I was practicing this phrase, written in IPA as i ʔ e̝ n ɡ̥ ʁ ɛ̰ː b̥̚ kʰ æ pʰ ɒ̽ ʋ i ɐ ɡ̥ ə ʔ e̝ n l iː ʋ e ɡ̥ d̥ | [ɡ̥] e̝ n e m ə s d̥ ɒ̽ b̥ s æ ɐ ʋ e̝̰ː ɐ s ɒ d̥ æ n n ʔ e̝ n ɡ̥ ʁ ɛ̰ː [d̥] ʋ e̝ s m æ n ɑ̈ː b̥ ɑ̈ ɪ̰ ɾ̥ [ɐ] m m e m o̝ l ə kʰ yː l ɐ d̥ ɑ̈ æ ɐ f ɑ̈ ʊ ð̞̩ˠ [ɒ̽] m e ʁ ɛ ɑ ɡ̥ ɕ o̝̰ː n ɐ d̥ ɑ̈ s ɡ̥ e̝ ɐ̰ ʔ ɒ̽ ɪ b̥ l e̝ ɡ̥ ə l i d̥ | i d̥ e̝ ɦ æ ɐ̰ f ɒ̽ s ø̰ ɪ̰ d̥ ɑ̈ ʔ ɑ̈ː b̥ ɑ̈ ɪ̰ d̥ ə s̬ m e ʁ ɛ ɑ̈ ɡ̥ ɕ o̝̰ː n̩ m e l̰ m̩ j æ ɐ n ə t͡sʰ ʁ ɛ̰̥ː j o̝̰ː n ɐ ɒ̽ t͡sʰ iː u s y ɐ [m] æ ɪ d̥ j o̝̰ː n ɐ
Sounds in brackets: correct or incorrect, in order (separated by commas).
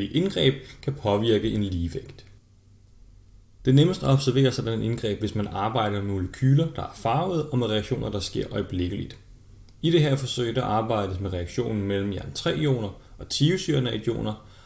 incorrect, incorrect, correct, correct, incorrect